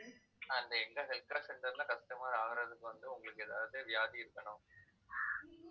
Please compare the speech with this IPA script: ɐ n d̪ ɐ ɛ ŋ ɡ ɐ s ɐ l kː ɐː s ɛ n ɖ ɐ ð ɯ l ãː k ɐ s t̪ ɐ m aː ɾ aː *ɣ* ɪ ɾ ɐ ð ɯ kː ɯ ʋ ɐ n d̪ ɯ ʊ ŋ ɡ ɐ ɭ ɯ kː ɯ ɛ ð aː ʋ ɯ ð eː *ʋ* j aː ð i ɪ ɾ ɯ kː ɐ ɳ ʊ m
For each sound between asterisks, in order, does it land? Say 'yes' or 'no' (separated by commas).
yes, yes